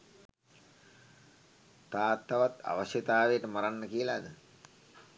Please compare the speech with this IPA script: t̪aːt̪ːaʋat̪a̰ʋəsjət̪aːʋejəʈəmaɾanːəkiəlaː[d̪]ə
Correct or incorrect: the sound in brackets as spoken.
correct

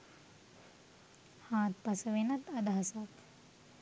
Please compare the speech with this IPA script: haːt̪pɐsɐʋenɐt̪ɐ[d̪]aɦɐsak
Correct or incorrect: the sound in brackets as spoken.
correct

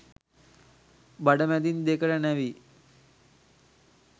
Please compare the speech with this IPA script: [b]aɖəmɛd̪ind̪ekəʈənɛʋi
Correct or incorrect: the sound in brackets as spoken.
correct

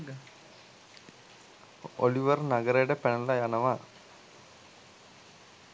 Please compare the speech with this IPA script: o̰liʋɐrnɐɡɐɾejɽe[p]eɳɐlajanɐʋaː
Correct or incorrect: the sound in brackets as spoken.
correct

